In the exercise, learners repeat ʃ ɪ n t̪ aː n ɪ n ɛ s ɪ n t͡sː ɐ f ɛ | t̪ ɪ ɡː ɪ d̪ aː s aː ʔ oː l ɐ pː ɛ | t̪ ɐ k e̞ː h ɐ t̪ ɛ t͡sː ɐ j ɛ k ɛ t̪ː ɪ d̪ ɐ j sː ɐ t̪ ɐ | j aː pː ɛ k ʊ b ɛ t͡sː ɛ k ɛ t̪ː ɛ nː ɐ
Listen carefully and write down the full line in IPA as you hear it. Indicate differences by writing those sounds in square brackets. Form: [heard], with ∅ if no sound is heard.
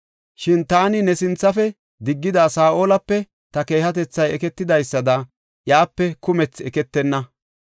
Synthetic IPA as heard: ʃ ɪ n t̪ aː n ɪ n ɛ s ɪ n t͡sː ɐ f ɛ | [d̪] ɪ ɡː ɪ d̪ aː s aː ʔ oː l ɐ pː ɛ | t̪ ɐ k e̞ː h ɐ t̪ ɛ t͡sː ɐ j ɛ k ɛ t̪ː ɪ d̪ ɐ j sː ɐ [d̪] ɐ | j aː pː ɛ k ʊ [m] ɛ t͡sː ɛ k ɛ t̪ː ɛ nː ɐ